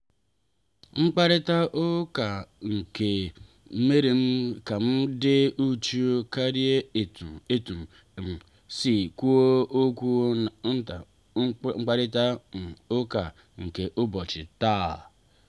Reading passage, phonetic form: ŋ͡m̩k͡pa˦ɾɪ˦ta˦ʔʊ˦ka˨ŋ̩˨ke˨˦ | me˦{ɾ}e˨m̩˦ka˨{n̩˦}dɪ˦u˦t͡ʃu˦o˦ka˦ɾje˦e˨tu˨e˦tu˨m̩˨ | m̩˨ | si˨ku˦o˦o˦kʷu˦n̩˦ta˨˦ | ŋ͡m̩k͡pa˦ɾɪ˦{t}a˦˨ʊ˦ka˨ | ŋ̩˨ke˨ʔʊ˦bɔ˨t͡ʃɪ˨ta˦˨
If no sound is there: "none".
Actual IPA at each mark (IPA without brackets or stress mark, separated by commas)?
ɾ, m̩˦, t